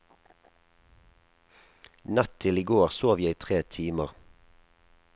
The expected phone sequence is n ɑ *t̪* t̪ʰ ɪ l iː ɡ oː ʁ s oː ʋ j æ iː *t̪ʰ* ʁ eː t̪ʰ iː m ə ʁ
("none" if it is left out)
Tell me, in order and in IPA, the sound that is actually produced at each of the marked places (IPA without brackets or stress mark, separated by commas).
t̪, t̪ʰ